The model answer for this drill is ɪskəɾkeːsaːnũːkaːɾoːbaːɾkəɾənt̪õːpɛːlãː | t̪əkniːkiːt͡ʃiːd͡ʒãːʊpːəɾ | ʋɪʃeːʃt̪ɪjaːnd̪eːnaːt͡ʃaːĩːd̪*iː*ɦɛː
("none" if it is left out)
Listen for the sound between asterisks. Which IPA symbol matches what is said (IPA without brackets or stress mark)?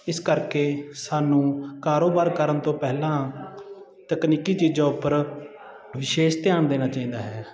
aː